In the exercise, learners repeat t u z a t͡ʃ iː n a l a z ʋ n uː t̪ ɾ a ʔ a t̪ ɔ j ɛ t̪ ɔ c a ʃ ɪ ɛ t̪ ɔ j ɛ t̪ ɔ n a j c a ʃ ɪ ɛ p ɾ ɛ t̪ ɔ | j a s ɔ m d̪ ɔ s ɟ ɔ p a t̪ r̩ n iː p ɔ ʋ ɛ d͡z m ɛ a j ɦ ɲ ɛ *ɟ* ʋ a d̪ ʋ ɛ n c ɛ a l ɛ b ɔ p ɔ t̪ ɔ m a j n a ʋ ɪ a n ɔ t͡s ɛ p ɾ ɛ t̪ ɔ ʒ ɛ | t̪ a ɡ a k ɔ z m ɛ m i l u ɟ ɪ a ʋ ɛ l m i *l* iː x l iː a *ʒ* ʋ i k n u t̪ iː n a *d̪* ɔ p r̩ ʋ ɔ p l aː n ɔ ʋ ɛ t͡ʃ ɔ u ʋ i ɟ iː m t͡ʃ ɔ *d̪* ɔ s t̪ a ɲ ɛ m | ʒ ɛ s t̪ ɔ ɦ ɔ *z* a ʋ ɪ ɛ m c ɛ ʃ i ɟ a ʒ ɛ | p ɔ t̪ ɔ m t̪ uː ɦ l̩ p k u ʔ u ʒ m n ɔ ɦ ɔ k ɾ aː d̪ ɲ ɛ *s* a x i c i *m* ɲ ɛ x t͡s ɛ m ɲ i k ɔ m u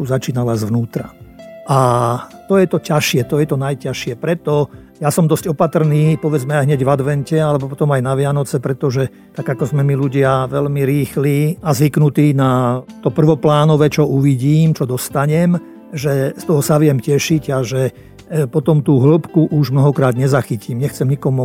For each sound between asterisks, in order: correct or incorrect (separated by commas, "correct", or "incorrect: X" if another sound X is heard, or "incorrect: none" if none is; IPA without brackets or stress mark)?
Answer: correct, incorrect: ɾ, incorrect: z, incorrect: t̪, correct, incorrect: s, incorrect: z, correct